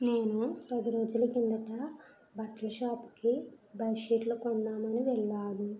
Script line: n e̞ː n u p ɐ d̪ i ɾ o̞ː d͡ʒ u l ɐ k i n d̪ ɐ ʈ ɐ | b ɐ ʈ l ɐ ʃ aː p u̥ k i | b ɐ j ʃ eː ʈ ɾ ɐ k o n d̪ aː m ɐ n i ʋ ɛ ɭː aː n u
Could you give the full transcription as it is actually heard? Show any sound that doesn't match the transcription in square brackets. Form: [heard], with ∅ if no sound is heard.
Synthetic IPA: n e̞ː n u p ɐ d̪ i ɾ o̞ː d͡ʒ u l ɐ k i n d̪ ɐ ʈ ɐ | b ɐ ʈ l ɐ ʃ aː p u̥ k i | b ɐ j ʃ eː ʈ [l] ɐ k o n d̪ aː m ɐ n i ʋ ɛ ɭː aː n u

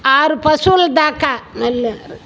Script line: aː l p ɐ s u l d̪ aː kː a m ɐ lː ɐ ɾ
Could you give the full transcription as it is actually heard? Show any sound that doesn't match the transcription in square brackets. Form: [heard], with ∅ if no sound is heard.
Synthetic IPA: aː [ɾ] p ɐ s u l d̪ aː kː a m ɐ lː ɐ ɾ

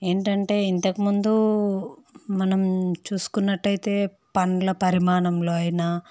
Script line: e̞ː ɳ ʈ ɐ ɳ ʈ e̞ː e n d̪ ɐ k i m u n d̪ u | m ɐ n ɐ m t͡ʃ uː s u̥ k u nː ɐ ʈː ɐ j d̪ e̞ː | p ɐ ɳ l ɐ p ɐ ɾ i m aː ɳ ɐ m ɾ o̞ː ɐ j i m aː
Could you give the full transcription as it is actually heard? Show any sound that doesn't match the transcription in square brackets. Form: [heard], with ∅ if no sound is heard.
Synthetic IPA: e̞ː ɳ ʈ ɐ ɳ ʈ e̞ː [i] n [t̪] ɐ k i m u n d̪ u | m ɐ n ɐ m t͡ʃ uː s u̥ k u nː ɐ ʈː ɐ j [t̪] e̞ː | p ɐ ɳ l ɐ p ɐ ɾ i m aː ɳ ɐ m [l] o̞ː ɐ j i [n] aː

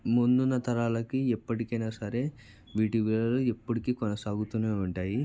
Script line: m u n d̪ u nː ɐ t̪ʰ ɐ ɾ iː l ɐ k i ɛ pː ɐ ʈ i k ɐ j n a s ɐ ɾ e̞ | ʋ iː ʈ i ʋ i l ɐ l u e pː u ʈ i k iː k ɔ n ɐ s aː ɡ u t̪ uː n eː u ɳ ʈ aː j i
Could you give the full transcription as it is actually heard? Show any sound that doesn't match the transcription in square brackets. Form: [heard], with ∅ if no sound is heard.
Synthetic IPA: m u n d̪ u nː ɐ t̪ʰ ɐ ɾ [aː] l ɐ k i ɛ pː ɐ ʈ i k ɐ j n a s ɐ ɾ e̞ | ʋ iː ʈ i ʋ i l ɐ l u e pː u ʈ i k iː k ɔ n ɐ s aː ɡ u t̪ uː n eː u ɳ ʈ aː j i

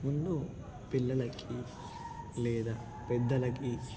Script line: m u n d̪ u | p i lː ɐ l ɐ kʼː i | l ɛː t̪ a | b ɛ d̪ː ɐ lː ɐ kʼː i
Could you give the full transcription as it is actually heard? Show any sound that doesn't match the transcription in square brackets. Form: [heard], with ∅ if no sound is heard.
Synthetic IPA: m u n d̪ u | p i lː ɐ l ɐ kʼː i | l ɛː [d̪] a | [p] ɛ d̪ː ɐ [l] ɐ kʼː i

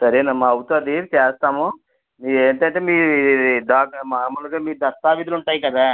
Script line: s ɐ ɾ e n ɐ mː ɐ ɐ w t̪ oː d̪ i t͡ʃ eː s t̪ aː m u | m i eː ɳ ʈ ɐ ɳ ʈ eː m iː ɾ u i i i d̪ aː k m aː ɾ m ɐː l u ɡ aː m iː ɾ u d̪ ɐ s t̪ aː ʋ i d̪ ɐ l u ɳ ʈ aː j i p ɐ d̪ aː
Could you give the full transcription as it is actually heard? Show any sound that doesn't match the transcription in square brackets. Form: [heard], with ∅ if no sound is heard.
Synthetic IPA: s ɐ ɾ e n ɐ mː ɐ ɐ w t̪ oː d̪ i t͡ʃ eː s t̪ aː m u | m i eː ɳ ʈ ɐ ɳ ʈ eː m iː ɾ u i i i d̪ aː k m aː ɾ m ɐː l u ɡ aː m iː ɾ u d̪ ɐ s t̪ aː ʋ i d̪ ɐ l u ɳ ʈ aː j i [k] ɐ d̪ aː

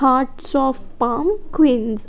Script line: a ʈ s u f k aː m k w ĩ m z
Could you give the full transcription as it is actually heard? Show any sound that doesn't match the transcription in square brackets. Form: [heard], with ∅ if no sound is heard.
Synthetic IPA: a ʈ s [ɔ] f [p] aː m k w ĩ [n] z

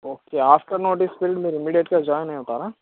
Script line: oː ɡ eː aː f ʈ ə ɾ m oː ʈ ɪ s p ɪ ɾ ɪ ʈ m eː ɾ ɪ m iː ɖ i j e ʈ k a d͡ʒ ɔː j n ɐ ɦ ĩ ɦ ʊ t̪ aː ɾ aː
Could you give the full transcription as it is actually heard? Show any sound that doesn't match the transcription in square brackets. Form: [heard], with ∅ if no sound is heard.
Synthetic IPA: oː [k] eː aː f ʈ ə ɾ [n] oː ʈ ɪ s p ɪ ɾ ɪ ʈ m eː ɾ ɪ m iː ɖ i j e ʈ k a d͡ʒ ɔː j n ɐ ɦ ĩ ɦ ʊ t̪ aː ɾ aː

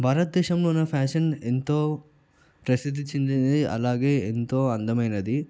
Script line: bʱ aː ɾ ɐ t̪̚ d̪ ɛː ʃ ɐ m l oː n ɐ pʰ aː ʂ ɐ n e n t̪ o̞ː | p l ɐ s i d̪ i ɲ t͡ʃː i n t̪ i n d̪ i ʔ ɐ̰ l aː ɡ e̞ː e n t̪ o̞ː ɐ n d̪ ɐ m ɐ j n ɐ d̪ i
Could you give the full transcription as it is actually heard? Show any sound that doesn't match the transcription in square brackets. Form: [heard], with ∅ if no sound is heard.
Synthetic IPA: bʱ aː ɾ ɐ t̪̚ d̪ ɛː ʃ ɐ m l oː n ɐ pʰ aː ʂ ɐ n e n t̪ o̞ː | p [ɾ] ɐ s i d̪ i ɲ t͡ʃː i n [d̪] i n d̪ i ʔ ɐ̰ l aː ɡ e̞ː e n t̪ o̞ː ɐ n d̪ ɐ m ɐ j n ɐ d̪ i

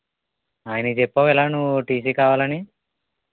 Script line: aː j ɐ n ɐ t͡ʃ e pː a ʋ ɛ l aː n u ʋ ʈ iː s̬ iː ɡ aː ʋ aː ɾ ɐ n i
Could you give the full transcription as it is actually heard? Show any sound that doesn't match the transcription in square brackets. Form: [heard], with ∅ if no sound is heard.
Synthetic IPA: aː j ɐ n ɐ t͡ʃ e pː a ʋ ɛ l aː n u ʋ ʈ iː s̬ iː [k] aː ʋ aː [l] ɐ n i

